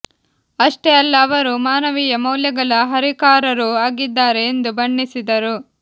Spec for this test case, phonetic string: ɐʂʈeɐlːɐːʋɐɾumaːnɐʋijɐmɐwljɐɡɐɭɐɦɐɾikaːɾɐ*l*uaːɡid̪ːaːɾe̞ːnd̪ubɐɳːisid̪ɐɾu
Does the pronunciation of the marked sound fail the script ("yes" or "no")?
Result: yes